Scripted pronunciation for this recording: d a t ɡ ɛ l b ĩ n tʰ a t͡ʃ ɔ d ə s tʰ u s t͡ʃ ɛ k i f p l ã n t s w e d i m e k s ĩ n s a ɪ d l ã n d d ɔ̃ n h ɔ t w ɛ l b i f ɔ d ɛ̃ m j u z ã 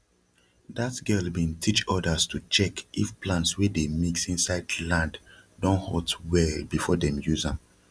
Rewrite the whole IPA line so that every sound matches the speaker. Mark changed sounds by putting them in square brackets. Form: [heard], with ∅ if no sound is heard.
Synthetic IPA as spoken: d a t ɡ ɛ l b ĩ n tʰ [i] t͡ʃ ɔ d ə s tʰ u [∅] t͡ʃ ɛ k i f p l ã n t s w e d [e] m [i] k s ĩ n s a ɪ d l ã n d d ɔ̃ n h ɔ t w ɛ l b i f ɔ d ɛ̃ m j u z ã